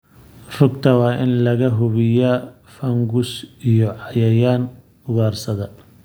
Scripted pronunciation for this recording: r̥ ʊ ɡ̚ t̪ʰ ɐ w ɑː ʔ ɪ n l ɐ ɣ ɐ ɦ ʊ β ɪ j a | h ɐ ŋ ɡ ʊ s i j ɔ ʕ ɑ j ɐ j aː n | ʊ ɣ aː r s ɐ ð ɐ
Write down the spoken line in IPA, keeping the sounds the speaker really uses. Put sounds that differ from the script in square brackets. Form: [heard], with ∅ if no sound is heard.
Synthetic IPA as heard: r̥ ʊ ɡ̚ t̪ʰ ɐ w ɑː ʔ ɪ n l ɐ ɣ ɐ ɦ ʊ β ɪ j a | [f] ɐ ŋ ɡ ʊ s i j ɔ ʕ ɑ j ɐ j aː n | ʊ ɣ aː r s ɐ ð ɐ